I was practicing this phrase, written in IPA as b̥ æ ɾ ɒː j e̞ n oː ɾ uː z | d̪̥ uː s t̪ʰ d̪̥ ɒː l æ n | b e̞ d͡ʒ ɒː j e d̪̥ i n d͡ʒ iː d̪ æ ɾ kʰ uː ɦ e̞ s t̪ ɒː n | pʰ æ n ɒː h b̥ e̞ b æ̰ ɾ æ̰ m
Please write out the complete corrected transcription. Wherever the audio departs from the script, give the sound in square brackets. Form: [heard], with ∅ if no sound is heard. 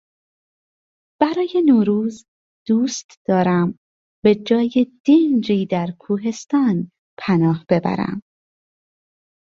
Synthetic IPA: b̥ æ ɾ ɒː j e̞ n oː ɾ uː z | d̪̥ uː s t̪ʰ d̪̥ ɒː [ɾ] æ [m] | b e̞ d͡ʒ ɒː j e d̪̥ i n d͡ʒ iː d̪ æ ɾ kʰ uː ɦ e̞ s t̪ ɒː n | pʰ æ n ɒː h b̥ e̞ b æ̰ ɾ æ̰ m